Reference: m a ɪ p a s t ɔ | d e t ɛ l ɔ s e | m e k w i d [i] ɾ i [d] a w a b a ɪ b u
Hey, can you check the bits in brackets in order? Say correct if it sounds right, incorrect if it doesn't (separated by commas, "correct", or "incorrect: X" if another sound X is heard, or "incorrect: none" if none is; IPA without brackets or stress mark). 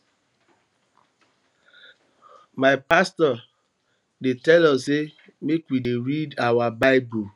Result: incorrect: e, correct